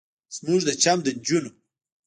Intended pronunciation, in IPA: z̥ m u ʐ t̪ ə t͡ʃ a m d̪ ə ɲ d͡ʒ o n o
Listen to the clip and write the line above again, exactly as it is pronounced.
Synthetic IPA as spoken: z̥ m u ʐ d̪ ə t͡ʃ a m d̪ ə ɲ d͡ʒ u n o

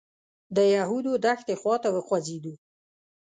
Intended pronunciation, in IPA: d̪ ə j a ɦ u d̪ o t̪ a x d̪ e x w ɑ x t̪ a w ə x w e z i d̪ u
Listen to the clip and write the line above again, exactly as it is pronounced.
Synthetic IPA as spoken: d̪ ə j a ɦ u d̪ o d̪ a x t̪ e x w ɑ t̪ a w ə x w a z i d̪ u

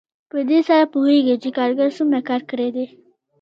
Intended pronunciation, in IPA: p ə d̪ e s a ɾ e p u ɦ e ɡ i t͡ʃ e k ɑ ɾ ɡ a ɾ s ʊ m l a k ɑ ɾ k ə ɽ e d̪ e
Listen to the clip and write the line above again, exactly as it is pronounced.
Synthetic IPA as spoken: p ə d̪ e s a ɾ a p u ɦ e ɡ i t͡ʃ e k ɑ ɾ ɡ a ɾ s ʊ m ɾ a k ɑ ɾ k ə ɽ e d̪ e

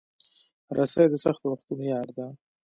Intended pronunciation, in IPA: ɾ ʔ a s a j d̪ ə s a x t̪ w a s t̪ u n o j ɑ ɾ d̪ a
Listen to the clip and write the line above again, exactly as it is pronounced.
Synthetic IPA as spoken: ɾ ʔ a s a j d̪ ə s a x t̪ w a x t̪ u n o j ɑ ɾ d̪ a

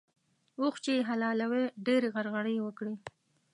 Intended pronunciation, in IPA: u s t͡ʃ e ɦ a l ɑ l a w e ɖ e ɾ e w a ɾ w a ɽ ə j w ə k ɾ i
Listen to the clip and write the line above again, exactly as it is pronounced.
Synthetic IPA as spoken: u x t͡ʃ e ɦ a l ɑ l a w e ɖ e ɾ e ɣ a ɾ ɣ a ɽ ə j w ə k ɽ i

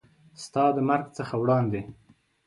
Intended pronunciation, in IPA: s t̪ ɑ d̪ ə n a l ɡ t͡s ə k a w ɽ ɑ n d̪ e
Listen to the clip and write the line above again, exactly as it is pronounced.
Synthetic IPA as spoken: s t̪ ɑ d̪ ə m a ɾ ɡ t͡s ə x a w ɽ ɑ n d̪ e

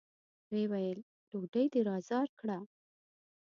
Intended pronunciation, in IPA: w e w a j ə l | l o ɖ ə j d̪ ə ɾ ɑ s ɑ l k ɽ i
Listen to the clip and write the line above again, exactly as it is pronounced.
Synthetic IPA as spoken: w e w a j ə l | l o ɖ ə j d̪ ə ɾ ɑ z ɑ ɾ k ɽ a

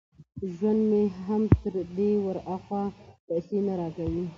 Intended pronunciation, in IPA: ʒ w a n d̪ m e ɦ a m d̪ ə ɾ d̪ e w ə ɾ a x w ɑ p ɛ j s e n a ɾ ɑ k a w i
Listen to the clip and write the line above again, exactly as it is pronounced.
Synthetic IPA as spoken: ʒ w a n d̪ m e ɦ a m t̪ ə ɾ d̪ e w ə ɾ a x w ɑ p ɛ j s e n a ɾ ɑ k a w i

